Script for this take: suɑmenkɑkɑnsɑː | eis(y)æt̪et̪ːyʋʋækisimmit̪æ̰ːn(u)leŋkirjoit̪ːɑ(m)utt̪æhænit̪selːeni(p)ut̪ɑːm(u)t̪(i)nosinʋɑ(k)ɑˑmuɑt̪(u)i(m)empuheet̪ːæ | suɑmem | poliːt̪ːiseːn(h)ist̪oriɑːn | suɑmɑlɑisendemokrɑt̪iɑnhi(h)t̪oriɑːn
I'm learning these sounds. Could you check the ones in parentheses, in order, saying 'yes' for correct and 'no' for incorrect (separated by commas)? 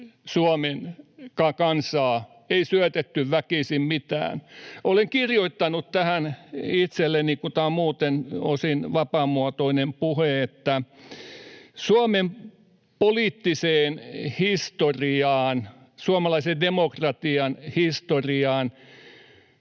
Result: yes, no, no, no, no, no, no, no, no, yes, no